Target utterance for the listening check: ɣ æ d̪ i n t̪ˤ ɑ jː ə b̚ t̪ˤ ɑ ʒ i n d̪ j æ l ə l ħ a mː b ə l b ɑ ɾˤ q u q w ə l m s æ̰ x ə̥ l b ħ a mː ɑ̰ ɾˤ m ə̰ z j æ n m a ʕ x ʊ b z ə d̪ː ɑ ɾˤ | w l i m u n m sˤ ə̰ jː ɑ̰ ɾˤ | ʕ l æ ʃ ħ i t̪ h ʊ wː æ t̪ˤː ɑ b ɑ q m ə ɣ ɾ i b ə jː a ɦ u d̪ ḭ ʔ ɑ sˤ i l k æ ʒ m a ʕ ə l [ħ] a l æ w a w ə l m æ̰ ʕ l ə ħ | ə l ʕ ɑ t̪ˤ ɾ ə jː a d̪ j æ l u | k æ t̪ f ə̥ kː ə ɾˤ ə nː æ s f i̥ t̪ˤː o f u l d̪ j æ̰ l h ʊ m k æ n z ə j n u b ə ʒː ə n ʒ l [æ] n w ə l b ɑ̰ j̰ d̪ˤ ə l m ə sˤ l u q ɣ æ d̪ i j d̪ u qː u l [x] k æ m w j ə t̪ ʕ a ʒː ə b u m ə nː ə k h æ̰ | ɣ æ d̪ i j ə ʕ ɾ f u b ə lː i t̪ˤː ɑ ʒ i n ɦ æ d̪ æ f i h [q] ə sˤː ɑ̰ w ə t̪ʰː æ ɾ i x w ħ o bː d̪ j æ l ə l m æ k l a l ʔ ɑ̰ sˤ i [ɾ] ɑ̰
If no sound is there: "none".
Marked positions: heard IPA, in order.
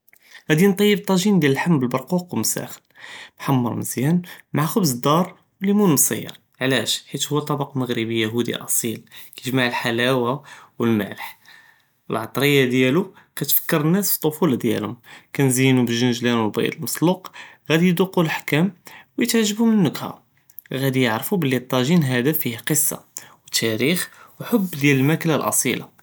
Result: ħ, æ, ħ, q, l

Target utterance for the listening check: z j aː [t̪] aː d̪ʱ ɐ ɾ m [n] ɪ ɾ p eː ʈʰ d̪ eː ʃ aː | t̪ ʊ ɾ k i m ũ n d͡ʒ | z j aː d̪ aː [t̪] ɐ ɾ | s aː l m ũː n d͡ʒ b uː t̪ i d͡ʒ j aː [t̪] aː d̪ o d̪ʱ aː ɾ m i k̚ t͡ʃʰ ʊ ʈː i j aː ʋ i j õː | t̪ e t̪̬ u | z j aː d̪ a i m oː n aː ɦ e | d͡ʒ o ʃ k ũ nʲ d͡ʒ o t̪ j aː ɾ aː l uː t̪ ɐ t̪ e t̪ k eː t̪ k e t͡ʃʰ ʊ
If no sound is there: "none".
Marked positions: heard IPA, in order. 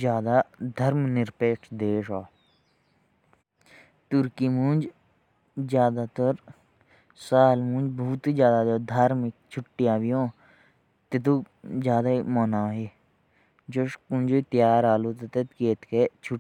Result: d̪, n, t̪, d̪

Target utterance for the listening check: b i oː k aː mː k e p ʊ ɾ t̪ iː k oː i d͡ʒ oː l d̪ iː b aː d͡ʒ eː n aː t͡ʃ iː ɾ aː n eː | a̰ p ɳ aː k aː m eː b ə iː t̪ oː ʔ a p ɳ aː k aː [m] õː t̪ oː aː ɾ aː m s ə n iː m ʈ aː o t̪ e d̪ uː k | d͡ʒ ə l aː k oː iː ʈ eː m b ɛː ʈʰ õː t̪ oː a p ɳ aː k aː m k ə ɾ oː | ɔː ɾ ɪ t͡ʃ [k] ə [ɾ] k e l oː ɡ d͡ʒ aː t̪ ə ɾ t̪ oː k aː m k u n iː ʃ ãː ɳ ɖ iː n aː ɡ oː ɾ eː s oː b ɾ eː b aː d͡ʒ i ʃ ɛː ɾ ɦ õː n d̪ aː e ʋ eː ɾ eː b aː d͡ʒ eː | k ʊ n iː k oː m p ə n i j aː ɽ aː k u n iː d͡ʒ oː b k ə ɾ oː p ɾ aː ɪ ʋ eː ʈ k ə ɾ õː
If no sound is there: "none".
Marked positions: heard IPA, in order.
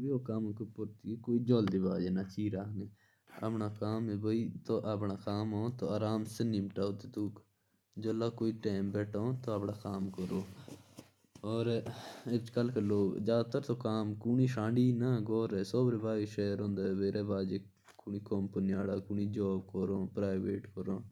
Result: m, k, l

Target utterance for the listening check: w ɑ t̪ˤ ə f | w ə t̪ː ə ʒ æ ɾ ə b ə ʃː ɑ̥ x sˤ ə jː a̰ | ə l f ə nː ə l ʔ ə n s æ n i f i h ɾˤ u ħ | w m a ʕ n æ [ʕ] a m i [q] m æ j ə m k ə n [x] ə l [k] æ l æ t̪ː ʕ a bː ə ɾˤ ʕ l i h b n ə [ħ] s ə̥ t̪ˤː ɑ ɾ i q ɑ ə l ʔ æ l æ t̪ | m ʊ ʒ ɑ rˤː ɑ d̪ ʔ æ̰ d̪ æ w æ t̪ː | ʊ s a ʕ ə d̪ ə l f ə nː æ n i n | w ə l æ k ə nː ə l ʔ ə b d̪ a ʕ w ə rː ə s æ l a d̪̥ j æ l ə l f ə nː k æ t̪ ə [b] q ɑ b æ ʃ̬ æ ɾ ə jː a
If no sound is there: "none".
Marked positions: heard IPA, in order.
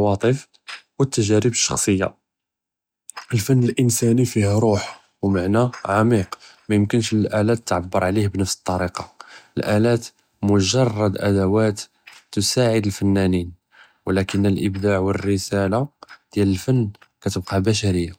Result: ʕ, q, ʃ, ʔ, f, b

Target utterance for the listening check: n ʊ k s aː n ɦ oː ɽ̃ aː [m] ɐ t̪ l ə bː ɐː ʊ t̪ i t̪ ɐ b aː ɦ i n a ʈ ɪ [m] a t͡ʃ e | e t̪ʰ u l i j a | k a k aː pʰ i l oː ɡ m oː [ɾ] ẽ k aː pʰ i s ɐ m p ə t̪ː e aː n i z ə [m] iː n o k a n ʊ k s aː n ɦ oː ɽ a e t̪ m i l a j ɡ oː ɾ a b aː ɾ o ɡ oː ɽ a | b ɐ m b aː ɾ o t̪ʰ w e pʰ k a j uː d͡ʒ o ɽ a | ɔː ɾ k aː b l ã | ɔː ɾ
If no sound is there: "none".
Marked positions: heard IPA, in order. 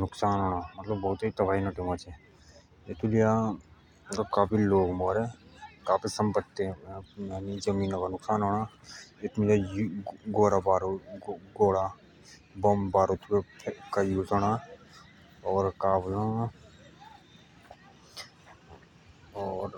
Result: m, m, ɾ, m

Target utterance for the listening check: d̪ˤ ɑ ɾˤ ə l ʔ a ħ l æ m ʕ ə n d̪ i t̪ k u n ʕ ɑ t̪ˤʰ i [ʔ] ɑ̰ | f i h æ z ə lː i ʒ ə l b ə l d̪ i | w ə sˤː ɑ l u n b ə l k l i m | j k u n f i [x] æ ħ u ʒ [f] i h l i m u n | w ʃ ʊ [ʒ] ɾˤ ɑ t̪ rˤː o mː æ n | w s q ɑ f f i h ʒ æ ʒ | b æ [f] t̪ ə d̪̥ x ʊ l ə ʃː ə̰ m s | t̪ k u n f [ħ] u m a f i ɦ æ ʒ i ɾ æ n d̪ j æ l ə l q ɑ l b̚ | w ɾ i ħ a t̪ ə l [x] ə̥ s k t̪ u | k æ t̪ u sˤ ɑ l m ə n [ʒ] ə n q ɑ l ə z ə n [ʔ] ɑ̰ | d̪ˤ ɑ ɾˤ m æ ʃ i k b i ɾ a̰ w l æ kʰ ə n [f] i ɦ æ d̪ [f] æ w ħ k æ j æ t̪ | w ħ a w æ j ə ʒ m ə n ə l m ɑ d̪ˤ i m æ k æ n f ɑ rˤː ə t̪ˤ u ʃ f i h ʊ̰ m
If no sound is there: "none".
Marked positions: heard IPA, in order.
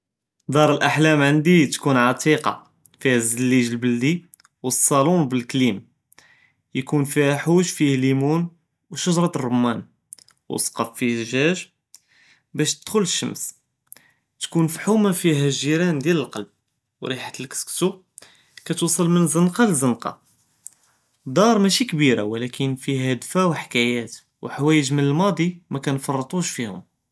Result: q, h, f, ʒ, ʃ, ħ, k, z, q, f, f

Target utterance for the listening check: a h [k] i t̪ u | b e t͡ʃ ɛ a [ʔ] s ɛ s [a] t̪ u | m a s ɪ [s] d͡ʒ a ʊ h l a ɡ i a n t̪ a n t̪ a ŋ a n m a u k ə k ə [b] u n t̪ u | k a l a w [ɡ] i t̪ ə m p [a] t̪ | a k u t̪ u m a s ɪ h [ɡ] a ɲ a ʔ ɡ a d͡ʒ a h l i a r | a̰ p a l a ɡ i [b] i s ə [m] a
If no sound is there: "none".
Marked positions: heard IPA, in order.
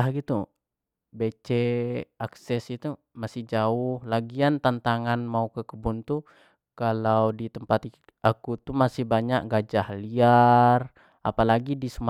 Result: ɡ, k, i, h, b, d, a, b, d, m

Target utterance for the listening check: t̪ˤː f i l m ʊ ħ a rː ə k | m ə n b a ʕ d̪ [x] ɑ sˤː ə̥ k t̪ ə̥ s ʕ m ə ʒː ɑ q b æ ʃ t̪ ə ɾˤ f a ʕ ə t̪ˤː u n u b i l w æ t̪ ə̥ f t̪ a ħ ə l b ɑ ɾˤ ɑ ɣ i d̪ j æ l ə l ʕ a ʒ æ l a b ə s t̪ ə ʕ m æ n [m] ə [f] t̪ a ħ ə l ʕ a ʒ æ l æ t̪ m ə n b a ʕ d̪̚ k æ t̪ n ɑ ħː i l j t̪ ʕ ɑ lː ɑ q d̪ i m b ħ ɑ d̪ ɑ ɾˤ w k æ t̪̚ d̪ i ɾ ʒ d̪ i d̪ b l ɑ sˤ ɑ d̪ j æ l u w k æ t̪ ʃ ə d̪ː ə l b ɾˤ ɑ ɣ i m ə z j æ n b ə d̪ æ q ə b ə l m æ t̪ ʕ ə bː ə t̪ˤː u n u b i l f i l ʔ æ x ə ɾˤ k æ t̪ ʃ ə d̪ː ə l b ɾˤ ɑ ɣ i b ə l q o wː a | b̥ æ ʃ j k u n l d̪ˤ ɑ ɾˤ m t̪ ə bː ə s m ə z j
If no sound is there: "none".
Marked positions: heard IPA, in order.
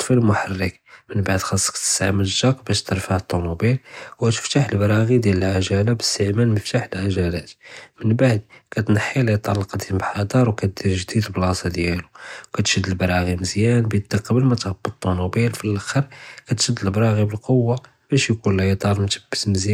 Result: x, m, f

